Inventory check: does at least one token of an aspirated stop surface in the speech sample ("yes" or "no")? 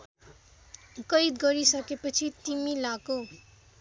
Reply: yes